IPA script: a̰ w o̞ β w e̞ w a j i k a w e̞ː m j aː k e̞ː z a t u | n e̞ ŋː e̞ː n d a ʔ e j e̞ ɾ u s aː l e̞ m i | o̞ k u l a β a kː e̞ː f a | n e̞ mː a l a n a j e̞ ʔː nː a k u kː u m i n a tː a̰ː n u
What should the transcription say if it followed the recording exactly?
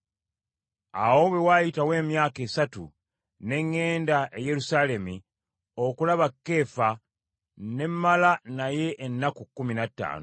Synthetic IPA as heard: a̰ w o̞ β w e̞ w a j i t a w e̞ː m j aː k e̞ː s a t u | n e̞ ŋː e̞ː n d a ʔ e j e̞ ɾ u s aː l e̞ m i | o̞ k u l a β a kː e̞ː f a | n e̞ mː a l a n a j e̞ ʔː nː a k u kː u m i n a tː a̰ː n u